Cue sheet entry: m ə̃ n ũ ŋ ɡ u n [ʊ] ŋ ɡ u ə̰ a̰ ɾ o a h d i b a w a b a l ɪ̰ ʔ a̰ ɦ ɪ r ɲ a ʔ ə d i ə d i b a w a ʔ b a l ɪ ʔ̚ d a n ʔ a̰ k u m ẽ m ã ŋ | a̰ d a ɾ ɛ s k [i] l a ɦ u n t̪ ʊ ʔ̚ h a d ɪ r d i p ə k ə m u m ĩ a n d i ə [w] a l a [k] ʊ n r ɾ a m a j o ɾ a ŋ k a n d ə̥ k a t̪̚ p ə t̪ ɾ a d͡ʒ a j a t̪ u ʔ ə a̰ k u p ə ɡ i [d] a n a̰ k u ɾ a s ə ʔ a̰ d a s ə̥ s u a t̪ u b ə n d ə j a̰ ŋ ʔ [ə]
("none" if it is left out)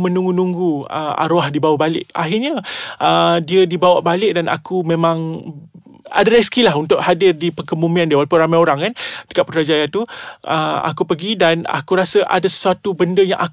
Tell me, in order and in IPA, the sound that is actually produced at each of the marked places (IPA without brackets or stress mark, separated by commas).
u, i, w, p, d, a